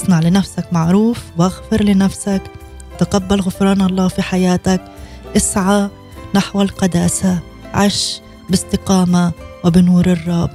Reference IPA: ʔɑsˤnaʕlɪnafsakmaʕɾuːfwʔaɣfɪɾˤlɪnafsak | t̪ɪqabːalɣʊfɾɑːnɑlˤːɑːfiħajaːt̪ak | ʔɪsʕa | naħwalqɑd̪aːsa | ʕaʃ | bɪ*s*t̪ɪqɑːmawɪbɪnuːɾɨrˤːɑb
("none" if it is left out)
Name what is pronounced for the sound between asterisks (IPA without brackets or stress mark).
s